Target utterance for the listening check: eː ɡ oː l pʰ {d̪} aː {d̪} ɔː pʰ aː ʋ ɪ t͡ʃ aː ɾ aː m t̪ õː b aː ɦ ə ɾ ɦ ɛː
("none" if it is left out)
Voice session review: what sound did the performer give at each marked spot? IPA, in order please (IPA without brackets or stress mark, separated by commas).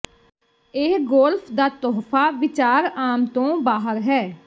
d̪, t̪